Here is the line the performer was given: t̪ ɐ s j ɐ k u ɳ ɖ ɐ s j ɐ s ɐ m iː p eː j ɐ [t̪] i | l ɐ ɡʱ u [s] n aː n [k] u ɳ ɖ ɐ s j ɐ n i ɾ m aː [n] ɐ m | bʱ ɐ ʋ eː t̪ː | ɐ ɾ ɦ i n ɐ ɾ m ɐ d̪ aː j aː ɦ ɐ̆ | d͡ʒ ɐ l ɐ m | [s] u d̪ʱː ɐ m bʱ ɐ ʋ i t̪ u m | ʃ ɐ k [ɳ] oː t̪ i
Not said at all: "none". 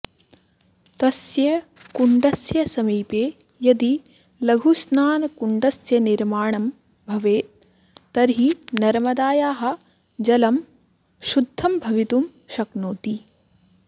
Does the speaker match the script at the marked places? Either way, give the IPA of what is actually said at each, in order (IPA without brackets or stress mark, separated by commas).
d̪, s, k, ɳ, ʃ, n